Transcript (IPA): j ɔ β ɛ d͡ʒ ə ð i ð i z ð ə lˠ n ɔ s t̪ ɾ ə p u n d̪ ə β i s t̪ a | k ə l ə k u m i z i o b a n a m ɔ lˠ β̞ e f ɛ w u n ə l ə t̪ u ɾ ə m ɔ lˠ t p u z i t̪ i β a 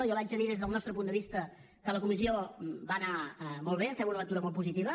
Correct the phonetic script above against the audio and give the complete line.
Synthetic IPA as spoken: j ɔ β a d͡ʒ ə ð i ð e z ð ə lˠ n ɔ s t̪ ɾ ə p u n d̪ ə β i s t̪ ə | k ə l ə k u m i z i o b a n a m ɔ lˠ β̞ e f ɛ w u n ə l ə t̪ u ɾ ə m ɔ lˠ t p u z i t̪ i β ə